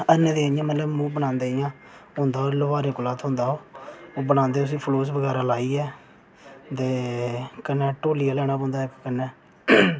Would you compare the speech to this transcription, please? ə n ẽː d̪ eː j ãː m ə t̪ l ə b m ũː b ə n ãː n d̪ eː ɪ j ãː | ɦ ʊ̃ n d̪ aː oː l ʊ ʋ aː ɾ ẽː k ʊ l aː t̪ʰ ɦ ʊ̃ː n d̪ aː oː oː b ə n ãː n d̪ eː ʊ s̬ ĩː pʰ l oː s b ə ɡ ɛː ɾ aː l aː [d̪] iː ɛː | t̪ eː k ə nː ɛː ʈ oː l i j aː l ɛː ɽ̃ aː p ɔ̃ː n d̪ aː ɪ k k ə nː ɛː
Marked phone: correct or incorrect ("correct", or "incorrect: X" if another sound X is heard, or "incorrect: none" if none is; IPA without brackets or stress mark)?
incorrect: none